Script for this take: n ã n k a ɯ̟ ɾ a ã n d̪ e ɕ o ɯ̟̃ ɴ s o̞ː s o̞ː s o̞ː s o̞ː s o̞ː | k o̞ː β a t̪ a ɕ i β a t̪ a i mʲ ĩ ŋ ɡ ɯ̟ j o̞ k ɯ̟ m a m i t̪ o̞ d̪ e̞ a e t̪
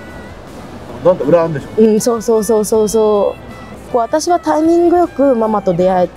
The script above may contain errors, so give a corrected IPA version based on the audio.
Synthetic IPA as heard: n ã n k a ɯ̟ ɾ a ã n d̪ e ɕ o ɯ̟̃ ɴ s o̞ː s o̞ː s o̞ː s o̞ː s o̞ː | k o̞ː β a t̪ a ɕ i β a t̪ a i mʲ ĩ ŋ ɡ ɯ̟ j o̞ k ɯ̟ m a m a t̪ o̞ d̪ e̞ a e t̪